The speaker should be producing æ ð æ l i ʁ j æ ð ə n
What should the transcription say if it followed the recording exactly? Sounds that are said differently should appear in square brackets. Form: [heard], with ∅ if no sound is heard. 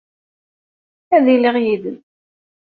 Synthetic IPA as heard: æ ð [i] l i ʁ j [i] ð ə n